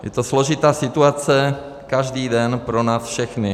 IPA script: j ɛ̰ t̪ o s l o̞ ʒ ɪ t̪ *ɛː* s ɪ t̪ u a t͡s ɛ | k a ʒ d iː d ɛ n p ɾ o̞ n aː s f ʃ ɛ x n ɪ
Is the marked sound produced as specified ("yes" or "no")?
no